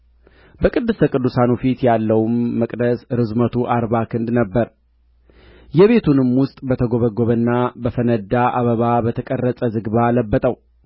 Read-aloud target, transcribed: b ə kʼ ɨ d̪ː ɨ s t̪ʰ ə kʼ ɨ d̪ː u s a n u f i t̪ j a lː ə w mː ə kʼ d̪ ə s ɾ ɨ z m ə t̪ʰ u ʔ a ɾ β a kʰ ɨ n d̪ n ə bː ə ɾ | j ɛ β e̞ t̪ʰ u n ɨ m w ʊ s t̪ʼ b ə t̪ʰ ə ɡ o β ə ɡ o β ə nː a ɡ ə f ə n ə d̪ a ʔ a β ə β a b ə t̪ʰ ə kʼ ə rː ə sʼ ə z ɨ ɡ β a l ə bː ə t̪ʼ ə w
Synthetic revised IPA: b ə kʼ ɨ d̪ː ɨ s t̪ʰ ə kʼ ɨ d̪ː u s a n u f i t̪ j a lː ə w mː ə kʼ d̪ ə s ɾ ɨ z m ə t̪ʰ u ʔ a ɾ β a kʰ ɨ n d̪ n ə bː ə ɾ | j ɛ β e̞ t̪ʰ u n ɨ m w ʊ s t̪ʼ b ə t̪ʰ ə ɡ o β ə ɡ o β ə nː a b ə f ə n ə d̪ a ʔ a β ə β a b ə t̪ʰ ə kʼ ə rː ə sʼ ə z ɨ ɡ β a l ə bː ə t̪ʼ ə w